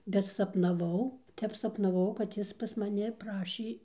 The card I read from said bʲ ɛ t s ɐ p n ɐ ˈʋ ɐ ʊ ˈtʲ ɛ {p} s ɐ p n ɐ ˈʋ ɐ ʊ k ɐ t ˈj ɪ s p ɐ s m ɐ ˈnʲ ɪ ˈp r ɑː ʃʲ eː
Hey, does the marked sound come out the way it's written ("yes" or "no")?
yes